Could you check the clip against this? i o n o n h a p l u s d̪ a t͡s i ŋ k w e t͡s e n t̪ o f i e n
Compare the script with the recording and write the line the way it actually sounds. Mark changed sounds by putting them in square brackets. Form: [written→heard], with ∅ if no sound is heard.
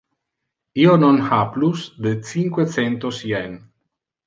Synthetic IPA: i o n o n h a p l u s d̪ [a→e] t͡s i ŋ k w e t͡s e n t̪ o [f→s] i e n